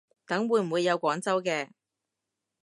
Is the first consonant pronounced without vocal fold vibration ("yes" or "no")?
yes